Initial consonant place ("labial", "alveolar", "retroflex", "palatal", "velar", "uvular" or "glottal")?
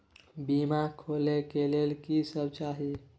labial